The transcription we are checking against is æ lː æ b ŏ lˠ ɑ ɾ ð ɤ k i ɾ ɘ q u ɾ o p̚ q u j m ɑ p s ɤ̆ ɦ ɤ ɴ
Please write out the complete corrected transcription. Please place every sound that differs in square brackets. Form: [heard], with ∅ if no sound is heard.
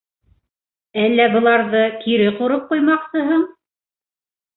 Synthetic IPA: æ lː æ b [ɤ̆] lˠ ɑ ɾ ð ɤ k i ɾ ɘ q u ɾ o p̚ q u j m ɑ [q] s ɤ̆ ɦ ɤ ɴ